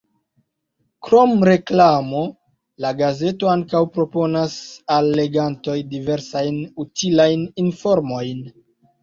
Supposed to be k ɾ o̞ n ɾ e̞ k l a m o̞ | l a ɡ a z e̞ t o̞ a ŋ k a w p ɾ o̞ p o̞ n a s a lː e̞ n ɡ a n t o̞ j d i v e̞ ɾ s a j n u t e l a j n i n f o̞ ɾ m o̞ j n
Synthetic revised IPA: k ɾ o̞ m ɾ e̞ k l a m o̞ | l a ɡ a z e̞ t o̞ a ŋ k a w p ɾ o̞ p o̞ n a s a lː e̞ ɡ a n t o̞ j d i v e̞ ɾ s a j n u t i l a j n i n f o̞ ɾ m o̞ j n